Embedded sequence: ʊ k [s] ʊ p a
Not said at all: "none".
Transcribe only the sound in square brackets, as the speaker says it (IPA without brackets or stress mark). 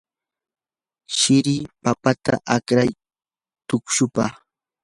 ʃ